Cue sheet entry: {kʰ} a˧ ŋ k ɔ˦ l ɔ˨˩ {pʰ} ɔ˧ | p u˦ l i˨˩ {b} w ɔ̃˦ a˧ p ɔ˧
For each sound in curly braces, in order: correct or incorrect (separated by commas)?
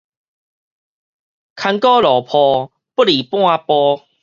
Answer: correct, correct, incorrect